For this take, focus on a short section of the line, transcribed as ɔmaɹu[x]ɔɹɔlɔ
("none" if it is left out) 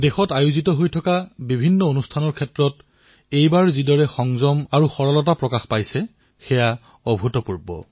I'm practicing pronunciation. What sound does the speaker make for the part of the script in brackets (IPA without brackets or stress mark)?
x